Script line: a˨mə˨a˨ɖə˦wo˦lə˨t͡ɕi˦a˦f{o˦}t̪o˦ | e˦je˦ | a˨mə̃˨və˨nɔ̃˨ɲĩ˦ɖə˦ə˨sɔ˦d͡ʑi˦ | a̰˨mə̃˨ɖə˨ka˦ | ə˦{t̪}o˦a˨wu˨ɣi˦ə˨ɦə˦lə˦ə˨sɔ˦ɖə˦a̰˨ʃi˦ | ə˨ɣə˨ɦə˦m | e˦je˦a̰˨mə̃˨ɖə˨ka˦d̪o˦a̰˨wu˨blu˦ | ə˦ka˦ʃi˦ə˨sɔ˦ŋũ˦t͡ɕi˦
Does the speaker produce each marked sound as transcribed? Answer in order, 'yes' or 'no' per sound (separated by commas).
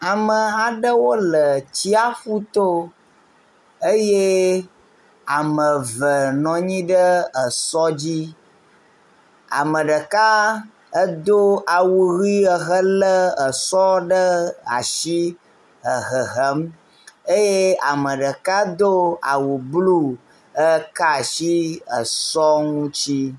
no, no